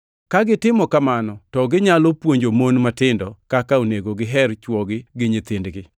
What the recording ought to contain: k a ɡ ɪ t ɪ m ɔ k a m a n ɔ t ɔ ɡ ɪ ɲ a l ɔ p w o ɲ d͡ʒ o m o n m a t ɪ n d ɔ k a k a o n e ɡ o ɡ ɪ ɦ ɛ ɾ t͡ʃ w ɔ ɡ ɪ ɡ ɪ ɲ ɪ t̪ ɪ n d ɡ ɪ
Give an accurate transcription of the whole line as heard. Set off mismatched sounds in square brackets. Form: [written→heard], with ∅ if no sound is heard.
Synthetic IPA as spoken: k a ɡ ɪ t ɪ m ɔ k a m a n ɔ t ɔ ɡ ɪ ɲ a l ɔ p w o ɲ d͡ʒ o m o n m a t ɪ n d ɔ k a k a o n e ɡ o ɡ ɪ ɦ ɛ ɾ t͡ʃ w ɔ ɡ ɪ ɡ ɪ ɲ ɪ t̪ ɪ n d ɡ ɪ